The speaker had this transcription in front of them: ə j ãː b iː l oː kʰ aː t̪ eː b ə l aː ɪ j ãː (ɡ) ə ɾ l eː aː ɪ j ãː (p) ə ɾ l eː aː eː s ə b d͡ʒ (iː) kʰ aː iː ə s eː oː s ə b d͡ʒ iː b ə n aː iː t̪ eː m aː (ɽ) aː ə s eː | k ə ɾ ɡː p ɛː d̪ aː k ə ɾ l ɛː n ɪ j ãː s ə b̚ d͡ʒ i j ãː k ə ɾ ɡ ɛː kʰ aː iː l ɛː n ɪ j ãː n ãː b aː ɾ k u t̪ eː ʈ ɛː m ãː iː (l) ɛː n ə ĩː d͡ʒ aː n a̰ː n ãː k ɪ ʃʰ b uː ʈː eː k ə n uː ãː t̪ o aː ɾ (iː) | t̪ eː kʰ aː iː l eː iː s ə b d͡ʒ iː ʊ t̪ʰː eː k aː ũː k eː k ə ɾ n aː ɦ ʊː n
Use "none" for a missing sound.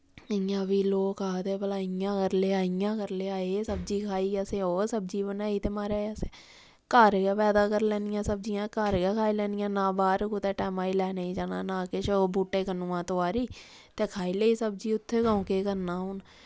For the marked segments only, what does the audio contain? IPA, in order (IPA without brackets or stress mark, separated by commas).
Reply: k, k, iː, ɾ, l, iː